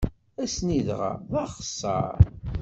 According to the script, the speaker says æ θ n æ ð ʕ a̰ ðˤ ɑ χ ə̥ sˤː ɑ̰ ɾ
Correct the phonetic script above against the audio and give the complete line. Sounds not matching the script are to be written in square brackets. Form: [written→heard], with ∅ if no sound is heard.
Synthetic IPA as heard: æ [θ→s] n [æ→i] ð [ʕ→ʁ] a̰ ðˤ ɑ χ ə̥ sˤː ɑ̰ ɾ